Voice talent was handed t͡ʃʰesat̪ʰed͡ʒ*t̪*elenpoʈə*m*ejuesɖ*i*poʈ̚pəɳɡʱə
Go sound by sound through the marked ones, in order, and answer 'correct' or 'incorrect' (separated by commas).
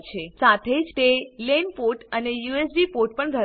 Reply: correct, incorrect, correct